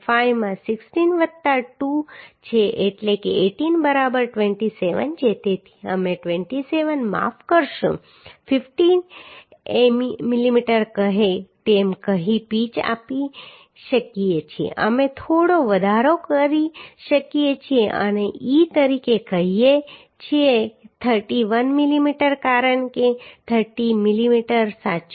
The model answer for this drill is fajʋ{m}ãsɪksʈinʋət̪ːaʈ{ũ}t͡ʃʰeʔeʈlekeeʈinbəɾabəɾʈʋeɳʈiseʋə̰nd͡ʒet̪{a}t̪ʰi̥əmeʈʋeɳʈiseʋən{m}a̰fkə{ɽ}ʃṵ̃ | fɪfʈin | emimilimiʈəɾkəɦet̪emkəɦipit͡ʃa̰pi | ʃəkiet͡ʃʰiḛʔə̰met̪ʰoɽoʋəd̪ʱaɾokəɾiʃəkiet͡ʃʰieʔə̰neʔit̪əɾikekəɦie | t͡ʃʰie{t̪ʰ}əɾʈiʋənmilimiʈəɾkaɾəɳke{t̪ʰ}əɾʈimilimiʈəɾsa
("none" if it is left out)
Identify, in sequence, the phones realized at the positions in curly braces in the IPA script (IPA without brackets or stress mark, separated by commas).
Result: m, u, e, m, ɾ, t̪ʰ, t̪ʰ